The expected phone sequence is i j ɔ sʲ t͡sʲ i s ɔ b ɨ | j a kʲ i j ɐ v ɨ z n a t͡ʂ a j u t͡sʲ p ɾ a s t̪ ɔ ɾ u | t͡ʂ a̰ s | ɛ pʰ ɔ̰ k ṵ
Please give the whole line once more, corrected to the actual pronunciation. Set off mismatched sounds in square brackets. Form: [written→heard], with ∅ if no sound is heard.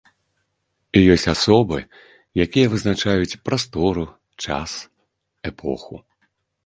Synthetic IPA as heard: i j ɔ sʲ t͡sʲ [i→a] s ɔ b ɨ | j a kʲ i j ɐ v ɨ z n a t͡ʂ a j u t͡sʲ p ɾ a s t̪ ɔ ɾ u | t͡ʂ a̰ s | ɛ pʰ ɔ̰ [k→x] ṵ